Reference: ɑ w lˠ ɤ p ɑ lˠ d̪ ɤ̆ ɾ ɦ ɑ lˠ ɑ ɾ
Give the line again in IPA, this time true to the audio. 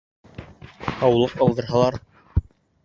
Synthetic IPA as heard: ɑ w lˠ ɤ q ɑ lˠ d̪ ɤ̆ ɾ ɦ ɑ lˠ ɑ ɾ